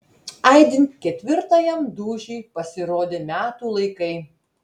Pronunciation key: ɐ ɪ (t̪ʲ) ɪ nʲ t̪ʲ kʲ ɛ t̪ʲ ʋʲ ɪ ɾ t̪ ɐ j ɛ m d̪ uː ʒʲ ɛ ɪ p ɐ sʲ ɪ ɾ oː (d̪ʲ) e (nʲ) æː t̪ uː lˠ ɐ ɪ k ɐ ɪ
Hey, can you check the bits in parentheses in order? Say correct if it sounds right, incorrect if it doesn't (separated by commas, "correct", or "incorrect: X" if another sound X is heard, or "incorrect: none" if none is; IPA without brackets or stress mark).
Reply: incorrect: d̪ʲ, correct, incorrect: mʲ